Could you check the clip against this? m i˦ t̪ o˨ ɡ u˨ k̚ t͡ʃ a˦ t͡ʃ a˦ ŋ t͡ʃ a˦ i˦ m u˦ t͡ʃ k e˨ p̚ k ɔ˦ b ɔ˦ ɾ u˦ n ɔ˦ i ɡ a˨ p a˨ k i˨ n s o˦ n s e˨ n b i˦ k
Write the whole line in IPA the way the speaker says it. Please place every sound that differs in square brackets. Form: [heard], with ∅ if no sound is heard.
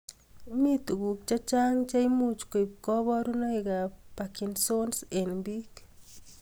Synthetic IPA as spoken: m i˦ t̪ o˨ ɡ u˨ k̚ t͡ʃ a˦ t͡ʃ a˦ ŋ t͡ʃ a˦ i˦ m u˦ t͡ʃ k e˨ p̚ k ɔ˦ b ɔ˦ ɾ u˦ n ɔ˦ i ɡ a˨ p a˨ k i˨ n s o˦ n s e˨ n b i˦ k

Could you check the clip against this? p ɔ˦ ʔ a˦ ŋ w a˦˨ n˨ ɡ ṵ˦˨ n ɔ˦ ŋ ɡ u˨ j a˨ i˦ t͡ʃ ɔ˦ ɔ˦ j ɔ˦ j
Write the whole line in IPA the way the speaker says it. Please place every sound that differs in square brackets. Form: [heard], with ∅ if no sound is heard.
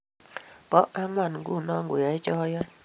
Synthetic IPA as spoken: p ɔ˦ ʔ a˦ ŋ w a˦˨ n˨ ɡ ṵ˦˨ n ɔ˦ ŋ ɡ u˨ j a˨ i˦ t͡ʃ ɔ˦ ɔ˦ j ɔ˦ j

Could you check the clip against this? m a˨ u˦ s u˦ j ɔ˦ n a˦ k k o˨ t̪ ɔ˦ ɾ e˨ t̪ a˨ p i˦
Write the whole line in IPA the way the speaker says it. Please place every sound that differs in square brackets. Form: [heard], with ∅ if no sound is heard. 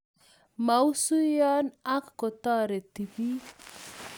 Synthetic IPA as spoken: m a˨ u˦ s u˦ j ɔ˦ n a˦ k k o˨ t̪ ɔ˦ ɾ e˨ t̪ [i˨] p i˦

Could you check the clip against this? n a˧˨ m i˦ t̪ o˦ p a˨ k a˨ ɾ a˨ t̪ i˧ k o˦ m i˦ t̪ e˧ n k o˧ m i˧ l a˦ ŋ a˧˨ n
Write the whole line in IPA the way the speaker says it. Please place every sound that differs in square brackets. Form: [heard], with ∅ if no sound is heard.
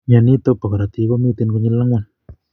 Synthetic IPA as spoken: [ɲ] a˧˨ [n] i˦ t̪ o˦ p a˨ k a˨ ɾ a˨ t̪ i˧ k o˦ m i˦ t̪ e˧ n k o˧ [ɲ] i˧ l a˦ ŋ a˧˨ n

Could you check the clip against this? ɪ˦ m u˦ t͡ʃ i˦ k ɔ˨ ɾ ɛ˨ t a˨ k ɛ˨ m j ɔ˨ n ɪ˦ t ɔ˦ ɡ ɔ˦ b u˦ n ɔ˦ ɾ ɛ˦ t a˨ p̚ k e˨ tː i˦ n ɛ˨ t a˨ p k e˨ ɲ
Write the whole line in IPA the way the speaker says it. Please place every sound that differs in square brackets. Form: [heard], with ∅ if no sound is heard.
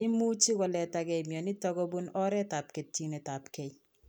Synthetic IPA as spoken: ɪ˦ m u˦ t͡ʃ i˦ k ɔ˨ [l] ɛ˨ t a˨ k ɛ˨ m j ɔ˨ n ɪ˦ t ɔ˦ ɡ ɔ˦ b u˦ n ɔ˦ ɾ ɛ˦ t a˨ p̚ k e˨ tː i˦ n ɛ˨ t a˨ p k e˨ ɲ

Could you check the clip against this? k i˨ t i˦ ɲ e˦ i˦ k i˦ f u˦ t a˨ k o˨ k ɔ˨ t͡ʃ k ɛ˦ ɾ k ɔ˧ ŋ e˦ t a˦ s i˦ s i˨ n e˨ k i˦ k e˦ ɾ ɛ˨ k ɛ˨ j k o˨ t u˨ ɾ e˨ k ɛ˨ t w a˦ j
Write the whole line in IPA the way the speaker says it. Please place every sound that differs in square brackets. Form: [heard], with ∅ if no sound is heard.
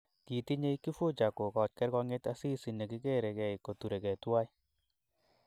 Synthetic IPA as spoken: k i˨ t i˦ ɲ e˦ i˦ k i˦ f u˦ [t͡ʃ] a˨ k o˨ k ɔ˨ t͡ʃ k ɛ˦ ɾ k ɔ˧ ŋ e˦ t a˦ s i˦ s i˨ n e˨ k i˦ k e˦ ɾ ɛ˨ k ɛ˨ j k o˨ t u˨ ɾ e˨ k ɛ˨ t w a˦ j

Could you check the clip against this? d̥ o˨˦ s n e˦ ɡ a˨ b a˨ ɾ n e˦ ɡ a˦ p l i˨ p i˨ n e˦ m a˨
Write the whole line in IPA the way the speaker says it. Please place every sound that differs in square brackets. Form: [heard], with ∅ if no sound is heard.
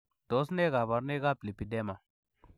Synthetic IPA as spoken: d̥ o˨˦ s n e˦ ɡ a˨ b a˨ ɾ n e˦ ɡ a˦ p l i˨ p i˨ [d] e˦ m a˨

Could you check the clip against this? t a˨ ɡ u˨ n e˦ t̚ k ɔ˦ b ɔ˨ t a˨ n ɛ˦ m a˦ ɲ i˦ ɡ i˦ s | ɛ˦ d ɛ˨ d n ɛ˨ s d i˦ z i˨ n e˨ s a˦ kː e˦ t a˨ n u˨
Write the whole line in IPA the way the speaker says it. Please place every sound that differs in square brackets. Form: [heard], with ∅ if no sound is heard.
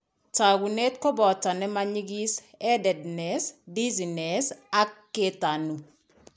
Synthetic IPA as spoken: t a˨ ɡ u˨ n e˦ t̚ k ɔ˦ b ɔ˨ t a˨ n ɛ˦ m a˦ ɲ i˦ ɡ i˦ s | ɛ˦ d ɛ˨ d n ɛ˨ s d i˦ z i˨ n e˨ s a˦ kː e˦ t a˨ n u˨

